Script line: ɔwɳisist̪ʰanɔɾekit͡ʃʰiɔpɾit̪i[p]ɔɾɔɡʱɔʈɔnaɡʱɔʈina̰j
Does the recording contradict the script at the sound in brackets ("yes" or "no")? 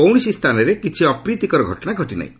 yes